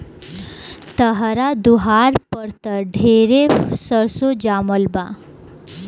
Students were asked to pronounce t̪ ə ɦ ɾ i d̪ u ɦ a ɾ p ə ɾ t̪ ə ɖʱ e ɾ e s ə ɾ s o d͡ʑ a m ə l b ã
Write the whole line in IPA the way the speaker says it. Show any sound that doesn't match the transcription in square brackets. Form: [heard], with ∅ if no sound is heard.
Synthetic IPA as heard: t̪ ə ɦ ɾ [a] d̪ u ɦ a ɾ p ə ɾ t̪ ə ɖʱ e ɾ e s ə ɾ s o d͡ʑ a m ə l b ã